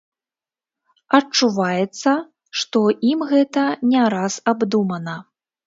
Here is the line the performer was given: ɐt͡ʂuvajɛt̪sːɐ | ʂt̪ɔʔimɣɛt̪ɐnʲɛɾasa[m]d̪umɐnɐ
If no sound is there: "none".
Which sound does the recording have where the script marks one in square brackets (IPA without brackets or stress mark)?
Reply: b